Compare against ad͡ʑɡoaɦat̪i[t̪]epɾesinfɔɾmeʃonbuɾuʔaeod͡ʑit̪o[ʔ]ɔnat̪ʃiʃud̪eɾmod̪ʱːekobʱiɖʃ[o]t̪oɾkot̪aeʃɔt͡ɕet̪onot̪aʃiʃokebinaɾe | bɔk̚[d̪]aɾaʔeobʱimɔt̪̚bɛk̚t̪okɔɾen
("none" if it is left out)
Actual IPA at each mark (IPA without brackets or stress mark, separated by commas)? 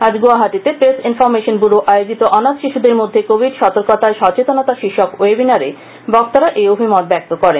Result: t̪, ʔ, ɔ, t̪